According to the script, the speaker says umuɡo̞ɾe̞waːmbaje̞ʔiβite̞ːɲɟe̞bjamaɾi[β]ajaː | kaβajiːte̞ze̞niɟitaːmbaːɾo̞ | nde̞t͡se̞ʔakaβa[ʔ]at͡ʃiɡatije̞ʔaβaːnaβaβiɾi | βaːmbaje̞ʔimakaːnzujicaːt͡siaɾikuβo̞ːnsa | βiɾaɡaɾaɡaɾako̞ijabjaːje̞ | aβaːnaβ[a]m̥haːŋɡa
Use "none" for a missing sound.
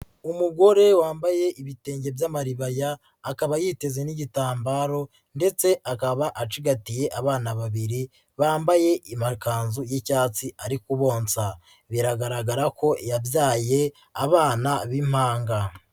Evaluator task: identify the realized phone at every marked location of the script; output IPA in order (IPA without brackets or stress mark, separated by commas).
β, ʔ, i